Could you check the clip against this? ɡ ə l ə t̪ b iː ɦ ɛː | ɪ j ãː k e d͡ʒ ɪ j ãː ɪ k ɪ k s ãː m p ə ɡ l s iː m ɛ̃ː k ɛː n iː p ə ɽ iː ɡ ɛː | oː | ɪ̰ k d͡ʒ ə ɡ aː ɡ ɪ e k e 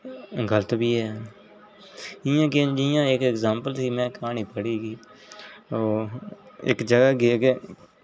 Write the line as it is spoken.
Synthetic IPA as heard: ɡ ə l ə t̪ b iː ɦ ɛː | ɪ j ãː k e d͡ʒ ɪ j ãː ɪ k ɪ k z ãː m p ə l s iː m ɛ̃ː k aː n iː p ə ɽ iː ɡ iː | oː | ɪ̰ k d͡ʒ ə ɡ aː ɡ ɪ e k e